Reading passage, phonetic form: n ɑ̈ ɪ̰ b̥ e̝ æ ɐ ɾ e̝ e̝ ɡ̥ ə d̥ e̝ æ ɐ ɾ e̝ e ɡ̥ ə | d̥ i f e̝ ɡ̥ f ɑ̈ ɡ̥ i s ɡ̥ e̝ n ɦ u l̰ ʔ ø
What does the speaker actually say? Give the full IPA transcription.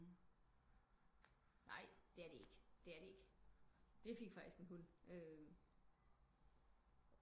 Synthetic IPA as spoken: n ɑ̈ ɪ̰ d̥ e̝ æ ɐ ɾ e̝ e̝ ɡ̥ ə d̥ e̝ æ ɐ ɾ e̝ e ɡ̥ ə | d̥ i f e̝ ɡ̥ f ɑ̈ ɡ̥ i s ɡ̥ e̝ n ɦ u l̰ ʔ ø